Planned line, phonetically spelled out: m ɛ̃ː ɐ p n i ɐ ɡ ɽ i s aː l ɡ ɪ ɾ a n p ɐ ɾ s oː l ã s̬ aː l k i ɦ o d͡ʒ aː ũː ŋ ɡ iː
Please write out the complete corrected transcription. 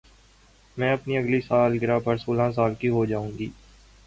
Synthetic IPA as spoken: m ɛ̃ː ɐ p n i ɐ ɡ l i s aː l ɡ ɪ ɾ a p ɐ ɾ s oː l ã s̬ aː l k i ɦ o d͡ʒ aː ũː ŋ ɡ iː